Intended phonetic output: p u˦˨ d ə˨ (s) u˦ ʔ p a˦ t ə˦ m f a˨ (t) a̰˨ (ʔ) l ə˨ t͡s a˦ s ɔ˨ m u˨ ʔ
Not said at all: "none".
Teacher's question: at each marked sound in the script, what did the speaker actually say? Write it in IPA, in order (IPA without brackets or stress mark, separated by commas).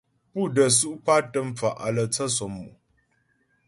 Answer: s, ʔ, none